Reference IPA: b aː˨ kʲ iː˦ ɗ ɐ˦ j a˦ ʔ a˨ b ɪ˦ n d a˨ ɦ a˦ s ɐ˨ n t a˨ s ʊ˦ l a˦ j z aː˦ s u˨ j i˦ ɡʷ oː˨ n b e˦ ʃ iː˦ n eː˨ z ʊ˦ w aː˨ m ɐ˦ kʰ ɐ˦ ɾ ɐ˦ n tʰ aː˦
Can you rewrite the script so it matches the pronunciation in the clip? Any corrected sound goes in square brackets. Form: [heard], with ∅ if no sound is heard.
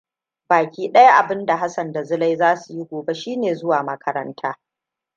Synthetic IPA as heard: b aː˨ kʲ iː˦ ɗ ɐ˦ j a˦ ʔ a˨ b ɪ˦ n d a˨ ɦ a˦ s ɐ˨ n [d] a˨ [z] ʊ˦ l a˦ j z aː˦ s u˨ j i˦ ɡʷ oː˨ [∅] b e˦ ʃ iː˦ n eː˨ z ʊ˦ w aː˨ m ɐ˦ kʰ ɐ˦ ɾ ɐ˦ n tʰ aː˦